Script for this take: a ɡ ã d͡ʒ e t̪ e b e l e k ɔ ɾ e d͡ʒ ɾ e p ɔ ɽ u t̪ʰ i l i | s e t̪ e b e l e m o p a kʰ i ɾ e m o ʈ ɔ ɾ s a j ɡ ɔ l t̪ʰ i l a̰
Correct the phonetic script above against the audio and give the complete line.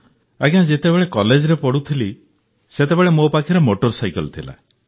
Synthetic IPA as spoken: a ɡ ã d͡ʒ e t̪ e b e ɭ e k ɔ l e d͡ʒ ɾ e p ɔ ɽ u t̪ʰ i l i | s e t̪ e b e ɭ e m o p a kʰ i ɾ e m o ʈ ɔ ɾ s a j k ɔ l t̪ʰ i l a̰